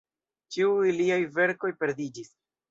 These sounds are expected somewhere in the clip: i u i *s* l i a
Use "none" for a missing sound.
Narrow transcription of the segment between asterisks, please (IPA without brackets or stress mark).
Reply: none